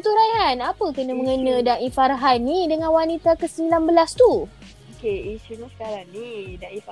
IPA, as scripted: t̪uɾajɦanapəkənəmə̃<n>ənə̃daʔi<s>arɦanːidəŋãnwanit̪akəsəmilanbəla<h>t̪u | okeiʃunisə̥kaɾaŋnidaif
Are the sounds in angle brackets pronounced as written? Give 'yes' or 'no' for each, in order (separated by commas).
no, no, no